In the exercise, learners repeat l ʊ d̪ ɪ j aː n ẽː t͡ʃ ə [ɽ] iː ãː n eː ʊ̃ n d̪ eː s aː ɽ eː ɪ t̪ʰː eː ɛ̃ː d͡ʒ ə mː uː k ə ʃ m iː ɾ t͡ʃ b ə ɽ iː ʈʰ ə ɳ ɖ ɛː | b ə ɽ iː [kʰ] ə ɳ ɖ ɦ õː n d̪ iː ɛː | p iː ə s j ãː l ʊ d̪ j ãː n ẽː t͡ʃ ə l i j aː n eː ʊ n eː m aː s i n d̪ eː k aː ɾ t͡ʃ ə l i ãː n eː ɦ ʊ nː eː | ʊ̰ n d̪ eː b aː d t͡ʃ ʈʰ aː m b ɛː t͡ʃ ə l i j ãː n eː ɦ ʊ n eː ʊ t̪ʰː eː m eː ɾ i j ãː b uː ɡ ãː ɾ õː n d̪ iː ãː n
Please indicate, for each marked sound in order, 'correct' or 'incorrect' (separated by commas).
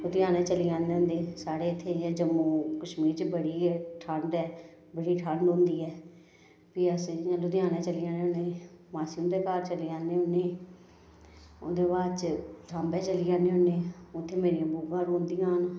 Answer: incorrect, incorrect